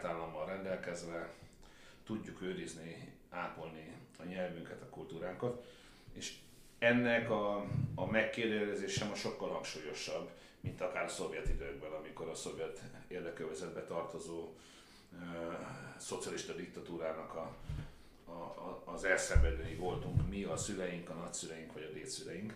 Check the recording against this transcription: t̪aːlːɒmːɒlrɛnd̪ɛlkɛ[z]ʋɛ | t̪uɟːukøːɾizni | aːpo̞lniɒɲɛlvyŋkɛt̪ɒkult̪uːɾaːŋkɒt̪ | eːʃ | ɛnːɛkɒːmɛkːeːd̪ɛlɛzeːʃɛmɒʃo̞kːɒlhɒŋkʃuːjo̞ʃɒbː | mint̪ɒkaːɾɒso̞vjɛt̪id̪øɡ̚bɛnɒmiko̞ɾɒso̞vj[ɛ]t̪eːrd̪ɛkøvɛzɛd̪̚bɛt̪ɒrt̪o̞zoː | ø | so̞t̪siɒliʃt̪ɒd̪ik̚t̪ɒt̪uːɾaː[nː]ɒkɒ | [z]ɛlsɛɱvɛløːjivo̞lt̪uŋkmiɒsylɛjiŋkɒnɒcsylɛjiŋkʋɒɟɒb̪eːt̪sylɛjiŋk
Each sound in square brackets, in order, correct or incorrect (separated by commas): correct, correct, incorrect, correct